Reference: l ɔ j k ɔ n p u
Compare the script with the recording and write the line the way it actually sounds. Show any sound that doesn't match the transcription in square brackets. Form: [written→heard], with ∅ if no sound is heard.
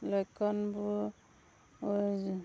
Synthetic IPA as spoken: l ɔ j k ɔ n [p→b] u